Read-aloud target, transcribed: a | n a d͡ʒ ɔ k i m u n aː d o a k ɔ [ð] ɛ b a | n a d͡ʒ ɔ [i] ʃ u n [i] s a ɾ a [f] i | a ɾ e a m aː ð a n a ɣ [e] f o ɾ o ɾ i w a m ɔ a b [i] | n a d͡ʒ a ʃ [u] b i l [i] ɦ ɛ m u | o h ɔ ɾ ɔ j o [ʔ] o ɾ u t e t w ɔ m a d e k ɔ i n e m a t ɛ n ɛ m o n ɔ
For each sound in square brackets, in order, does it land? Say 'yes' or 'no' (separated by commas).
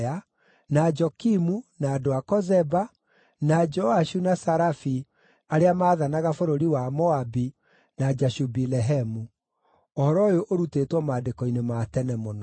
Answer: no, no, no, yes, no, yes, yes, no, yes